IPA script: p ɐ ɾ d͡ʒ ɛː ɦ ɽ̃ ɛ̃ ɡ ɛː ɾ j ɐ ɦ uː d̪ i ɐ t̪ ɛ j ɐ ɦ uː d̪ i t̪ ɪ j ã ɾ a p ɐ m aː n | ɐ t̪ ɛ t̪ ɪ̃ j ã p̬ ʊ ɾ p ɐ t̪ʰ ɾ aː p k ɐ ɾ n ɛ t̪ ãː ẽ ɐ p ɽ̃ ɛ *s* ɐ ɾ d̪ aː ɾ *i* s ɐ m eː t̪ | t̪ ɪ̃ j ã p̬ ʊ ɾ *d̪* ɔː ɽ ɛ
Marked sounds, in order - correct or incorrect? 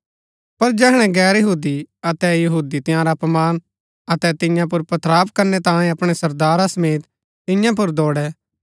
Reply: correct, incorrect, correct

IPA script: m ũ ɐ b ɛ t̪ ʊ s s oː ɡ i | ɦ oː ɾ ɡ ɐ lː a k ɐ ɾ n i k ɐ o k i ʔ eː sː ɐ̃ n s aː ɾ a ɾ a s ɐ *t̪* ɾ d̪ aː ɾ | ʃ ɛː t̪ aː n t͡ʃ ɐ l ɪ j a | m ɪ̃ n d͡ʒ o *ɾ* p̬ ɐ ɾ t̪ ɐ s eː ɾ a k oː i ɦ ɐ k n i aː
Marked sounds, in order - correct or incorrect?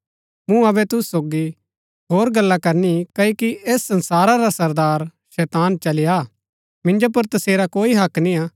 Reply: incorrect, incorrect

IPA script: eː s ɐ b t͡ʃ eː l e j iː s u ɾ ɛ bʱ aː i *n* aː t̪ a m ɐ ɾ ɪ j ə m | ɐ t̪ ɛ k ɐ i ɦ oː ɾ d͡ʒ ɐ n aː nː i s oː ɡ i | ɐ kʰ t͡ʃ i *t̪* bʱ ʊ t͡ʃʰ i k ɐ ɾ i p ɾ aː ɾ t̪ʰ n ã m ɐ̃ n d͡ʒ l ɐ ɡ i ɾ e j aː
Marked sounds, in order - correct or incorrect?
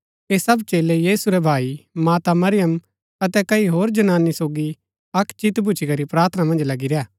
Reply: incorrect, correct

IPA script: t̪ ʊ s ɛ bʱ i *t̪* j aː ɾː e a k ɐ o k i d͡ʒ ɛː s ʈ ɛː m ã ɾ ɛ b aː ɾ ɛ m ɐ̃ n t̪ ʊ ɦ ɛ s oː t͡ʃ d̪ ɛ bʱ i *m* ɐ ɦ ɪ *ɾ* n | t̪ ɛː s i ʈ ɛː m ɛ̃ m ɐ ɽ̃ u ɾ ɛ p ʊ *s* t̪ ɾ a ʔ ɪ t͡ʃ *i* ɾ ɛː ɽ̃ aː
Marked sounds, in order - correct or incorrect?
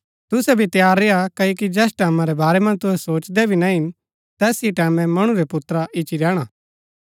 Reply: correct, incorrect, incorrect, incorrect, correct

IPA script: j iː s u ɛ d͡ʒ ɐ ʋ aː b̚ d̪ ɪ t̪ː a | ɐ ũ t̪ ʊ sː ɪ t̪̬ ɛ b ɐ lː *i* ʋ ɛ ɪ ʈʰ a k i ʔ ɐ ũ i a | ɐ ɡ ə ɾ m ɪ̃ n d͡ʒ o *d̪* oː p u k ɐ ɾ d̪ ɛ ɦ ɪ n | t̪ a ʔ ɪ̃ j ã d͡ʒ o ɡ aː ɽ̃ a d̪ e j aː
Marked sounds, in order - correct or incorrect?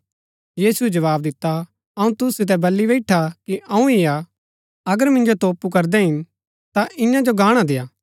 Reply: correct, incorrect

